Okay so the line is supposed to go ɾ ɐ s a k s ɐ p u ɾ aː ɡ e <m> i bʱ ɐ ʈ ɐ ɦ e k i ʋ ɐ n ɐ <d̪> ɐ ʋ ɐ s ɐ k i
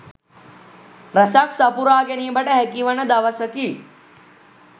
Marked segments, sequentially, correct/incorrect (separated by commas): incorrect, correct